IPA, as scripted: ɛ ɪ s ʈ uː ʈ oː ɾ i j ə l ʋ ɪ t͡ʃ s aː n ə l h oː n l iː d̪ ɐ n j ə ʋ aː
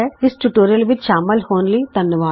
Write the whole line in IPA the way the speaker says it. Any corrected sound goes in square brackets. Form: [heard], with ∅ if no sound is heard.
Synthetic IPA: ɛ ɪ s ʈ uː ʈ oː ɾ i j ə l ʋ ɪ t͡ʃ [ʃ] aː [m] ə l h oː n l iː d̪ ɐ n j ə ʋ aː